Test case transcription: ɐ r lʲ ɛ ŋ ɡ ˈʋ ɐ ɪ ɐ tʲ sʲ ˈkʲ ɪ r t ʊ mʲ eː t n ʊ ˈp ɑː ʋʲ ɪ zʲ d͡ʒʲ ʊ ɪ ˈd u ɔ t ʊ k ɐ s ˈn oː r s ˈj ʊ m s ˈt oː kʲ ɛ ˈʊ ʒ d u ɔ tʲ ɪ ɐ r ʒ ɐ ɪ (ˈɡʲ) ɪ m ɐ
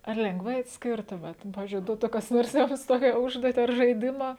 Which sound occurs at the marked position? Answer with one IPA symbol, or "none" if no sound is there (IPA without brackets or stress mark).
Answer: dʲ